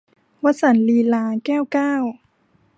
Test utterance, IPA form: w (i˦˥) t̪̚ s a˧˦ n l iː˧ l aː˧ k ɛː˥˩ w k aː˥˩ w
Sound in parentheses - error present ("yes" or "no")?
yes